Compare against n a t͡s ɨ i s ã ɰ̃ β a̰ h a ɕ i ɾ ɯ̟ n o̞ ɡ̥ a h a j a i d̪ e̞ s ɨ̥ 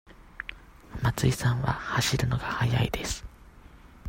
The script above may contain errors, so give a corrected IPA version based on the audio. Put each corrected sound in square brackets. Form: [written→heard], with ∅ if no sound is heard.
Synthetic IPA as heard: [n→m] a t͡s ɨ i s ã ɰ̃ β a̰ h a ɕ i ɾ ɯ̟ n o̞ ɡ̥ a h a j a i d̪ e̞ s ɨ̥